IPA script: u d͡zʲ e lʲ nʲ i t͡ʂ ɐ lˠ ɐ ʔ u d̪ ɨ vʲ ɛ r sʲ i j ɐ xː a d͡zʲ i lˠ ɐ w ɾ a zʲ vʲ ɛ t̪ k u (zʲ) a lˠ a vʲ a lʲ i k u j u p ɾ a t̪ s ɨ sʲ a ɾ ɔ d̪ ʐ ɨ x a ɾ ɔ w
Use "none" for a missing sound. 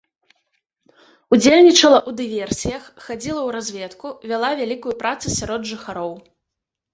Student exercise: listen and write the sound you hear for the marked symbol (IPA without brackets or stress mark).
vʲ